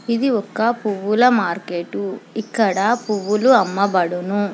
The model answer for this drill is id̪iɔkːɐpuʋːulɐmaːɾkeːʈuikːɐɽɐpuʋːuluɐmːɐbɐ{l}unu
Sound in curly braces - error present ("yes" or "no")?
yes